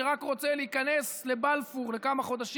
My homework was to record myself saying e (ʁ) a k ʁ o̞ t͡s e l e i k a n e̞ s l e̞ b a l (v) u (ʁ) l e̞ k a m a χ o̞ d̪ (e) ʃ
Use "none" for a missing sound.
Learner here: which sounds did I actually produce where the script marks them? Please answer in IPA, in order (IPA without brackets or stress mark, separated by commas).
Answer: ʁ, f, ʁ, a